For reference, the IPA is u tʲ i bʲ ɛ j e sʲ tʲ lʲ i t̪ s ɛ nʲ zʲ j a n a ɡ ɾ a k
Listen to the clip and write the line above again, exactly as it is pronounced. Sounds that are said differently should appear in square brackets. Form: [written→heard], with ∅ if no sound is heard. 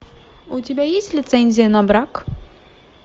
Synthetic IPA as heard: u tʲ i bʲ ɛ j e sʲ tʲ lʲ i t̪ s ɛ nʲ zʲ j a n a [ɡ→b] ɾ a k